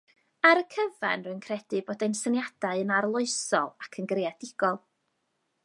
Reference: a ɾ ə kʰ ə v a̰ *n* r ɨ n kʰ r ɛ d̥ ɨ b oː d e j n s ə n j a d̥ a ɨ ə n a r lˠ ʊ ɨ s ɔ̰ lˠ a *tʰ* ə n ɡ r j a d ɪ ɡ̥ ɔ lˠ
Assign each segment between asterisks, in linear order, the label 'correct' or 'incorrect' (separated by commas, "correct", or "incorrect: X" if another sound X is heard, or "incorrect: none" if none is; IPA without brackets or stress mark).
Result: correct, incorrect: kʰ